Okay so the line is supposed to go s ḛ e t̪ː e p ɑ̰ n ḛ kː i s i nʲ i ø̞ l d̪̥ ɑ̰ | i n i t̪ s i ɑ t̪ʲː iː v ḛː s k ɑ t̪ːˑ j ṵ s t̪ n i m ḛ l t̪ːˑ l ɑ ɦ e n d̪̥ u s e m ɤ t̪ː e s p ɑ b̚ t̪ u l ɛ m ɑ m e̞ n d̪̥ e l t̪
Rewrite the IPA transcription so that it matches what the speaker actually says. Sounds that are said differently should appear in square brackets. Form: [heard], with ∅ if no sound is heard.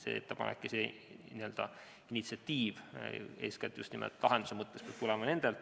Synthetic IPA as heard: s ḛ e t̪ː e p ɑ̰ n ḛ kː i s [e] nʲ i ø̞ l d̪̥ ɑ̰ | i n i t̪ s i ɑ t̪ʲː iː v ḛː s k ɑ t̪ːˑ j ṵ s t̪ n i m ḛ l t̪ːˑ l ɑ ɦ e n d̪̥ u s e m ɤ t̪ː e s p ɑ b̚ t̪ u l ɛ m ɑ [n] e̞ n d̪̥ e l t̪